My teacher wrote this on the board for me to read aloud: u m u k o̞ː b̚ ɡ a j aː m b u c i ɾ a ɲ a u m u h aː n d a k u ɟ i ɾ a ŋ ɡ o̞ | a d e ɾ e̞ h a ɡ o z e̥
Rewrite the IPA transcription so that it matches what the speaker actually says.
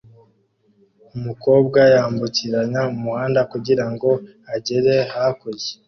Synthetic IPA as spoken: u m u k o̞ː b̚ ɡ a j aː m b u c i ɾ a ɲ a u m u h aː n d a k u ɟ i ɾ a ŋ ɡ o̞ | a ɟ e ɾ e̞ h a k o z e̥

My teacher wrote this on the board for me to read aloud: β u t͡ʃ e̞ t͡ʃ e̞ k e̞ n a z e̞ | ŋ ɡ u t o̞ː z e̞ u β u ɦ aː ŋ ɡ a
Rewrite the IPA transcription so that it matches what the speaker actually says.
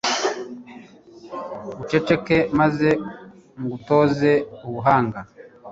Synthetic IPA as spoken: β u t͡ʃ e̞ t͡ʃ e̞ k e̞ m a z e̞ | ŋ ɡ u t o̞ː z e̞ u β u ɦ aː ŋ ɡ a

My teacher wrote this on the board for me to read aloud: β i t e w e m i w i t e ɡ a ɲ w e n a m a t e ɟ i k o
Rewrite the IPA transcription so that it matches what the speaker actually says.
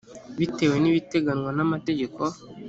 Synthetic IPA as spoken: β i t e w e n i β i t e ɡ a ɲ w a n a m a t e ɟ e k o

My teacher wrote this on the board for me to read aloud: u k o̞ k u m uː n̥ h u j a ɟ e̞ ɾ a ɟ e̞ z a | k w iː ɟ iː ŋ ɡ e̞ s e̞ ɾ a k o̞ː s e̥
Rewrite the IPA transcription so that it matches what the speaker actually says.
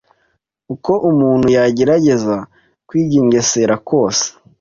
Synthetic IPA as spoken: u k o̞ ʔ u m uː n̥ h u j a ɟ e̞ ɾ a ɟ e̞ z a | k w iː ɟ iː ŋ ɡ e̞ s e̞ ɾ a k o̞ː s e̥

